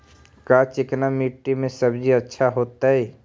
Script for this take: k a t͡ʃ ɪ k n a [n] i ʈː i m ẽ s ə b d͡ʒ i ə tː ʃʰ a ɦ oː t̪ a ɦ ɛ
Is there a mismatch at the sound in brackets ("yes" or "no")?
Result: yes